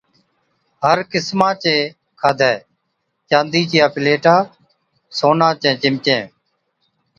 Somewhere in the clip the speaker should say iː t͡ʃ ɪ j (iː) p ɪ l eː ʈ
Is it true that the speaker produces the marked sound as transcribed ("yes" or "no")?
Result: no